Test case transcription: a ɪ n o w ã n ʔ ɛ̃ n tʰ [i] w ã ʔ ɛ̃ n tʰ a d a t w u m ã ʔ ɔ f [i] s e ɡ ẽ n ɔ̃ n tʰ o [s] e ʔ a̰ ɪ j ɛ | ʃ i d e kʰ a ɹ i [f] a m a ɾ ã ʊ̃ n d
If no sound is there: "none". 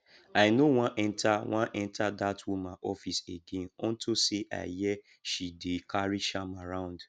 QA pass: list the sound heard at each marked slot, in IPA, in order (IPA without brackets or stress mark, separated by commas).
a, i, s, ʃ